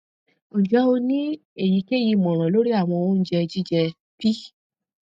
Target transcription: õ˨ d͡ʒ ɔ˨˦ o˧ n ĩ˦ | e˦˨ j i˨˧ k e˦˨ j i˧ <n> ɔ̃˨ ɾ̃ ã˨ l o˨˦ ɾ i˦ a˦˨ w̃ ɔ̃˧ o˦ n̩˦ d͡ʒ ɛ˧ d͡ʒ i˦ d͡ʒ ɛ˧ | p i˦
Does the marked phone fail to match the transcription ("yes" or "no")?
yes